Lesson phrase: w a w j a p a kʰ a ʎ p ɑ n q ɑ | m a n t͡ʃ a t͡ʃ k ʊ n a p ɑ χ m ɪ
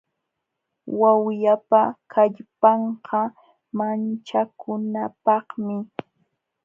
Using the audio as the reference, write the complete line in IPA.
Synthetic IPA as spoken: w a w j a p a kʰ a ʎ p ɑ ɴ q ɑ | m a n t͡ʃ a k ʊ n a p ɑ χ m ɪ